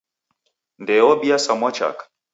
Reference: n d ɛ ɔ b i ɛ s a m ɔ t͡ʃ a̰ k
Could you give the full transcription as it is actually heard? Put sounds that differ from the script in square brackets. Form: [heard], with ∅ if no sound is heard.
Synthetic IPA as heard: n d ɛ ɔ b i [a] s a m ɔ t͡ʃ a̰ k